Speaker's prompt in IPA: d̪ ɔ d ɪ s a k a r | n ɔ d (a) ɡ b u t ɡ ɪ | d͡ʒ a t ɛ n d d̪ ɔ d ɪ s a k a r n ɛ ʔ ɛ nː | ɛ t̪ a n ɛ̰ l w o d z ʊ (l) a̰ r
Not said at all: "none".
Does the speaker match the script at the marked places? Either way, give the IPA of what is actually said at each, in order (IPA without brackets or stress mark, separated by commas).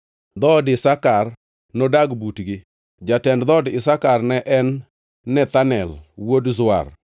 a, none